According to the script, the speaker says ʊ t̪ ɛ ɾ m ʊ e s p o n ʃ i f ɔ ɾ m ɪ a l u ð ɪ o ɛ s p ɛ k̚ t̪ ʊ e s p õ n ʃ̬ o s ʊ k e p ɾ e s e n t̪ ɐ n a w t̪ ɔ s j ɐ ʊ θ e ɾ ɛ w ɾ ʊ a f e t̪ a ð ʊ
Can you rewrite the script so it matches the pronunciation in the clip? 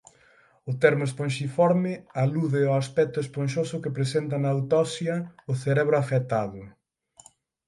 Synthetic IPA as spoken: ʊ t̪ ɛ ɾ m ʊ e s p o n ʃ i f ɔ ɾ m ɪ a l u ð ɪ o a s p ɛ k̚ t̪ ʊ e s p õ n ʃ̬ o s ʊ k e p ɾ e s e n t̪ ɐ n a w t̪ ɔ s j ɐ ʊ θ e ɾ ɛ β ɾ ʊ a f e t̪ a ð ʊ